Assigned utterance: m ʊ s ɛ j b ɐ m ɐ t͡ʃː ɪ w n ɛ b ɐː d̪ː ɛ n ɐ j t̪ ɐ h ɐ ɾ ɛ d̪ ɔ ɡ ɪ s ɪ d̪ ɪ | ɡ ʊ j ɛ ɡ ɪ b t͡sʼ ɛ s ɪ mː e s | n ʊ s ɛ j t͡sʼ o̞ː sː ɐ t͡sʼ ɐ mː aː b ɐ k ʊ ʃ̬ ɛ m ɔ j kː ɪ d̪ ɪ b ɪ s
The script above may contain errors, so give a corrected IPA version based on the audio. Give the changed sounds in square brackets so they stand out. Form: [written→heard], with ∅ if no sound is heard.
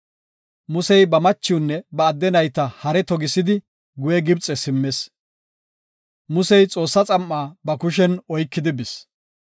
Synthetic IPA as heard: m ʊ s ɛ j b ɐ m ɐ t͡ʃː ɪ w [n→nː] ɛ b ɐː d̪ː ɛ n ɐ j t̪ ɐ h ɐ ɾ ɛ [d̪→t̪] ɔ ɡ ɪ s ɪ d̪ ɪ | ɡ ʊ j ɛ ɡ ɪ b t͡sʼ ɛ s ɪ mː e s | [n→m] ʊ s ɛ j t͡sʼ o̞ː sː ɐ t͡sʼ ɐ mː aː b ɐ k ʊ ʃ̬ ɛ [m→n] ɔ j kː ɪ d̪ ɪ b ɪ s